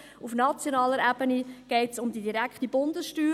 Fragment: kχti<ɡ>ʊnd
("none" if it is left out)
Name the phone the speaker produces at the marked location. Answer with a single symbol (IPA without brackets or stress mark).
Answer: b